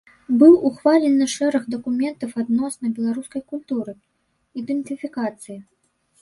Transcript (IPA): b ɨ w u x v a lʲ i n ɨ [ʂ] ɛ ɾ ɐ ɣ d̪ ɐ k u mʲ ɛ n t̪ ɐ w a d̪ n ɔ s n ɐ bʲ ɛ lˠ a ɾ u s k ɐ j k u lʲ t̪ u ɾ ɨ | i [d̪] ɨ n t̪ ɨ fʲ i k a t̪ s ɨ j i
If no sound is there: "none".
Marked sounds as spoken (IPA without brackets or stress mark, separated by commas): ʂ, d̪